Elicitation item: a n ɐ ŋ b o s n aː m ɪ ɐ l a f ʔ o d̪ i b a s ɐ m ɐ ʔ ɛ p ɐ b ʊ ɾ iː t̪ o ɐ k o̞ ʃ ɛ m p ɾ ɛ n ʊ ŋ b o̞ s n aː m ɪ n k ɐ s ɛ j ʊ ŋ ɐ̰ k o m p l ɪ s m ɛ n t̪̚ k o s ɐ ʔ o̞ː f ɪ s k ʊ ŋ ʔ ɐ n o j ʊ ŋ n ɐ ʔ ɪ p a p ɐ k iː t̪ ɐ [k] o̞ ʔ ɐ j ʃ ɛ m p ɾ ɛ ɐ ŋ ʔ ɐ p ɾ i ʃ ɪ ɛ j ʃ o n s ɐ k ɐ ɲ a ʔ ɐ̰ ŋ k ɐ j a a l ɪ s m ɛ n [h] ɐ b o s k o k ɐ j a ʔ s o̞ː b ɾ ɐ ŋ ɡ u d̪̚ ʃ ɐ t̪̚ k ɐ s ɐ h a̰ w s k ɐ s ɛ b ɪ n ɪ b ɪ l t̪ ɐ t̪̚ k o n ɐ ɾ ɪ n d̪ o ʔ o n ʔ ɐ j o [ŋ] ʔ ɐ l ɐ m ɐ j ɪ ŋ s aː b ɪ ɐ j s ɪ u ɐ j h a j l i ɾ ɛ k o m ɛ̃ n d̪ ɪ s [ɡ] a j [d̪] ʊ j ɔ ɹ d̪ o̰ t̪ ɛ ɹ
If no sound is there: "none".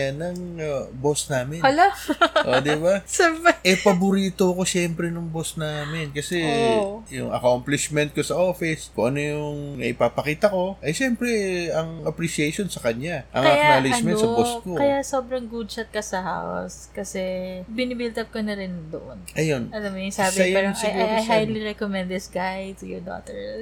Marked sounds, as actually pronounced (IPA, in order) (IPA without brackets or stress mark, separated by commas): k, s, n, ɡ, t̪